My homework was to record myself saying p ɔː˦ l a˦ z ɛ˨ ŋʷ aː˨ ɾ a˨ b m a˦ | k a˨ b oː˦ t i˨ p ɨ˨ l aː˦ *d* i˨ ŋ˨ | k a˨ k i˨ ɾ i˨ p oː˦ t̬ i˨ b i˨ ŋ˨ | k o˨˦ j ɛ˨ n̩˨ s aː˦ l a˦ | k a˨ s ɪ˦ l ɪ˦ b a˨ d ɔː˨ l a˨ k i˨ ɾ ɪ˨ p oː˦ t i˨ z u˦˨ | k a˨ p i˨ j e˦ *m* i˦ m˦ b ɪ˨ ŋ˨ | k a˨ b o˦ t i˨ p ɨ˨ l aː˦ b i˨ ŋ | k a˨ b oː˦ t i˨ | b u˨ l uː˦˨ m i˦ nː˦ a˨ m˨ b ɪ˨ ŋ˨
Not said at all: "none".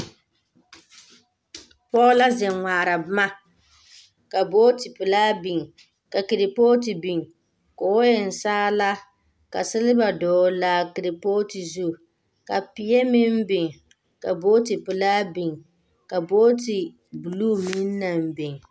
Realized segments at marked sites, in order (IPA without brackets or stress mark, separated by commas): b, m